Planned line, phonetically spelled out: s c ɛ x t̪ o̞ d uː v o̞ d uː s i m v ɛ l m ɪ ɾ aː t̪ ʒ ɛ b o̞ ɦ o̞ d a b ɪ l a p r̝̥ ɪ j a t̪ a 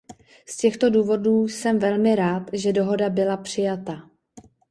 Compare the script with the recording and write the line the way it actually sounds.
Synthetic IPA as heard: s c ɛ x t̪ o̞ d uː v o̞ d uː s ɛ m v ɛ l m ɪ ɾ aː t̪ ʒ ɛ d o̞ ɦ o̞ d a b ɪ l a p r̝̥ ɪ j a t̪ a